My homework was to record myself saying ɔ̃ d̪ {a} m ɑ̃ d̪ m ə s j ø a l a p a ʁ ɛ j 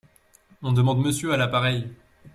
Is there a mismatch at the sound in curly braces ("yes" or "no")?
yes